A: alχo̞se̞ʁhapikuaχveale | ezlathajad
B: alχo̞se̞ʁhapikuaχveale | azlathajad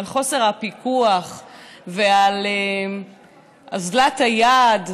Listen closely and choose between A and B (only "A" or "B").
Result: B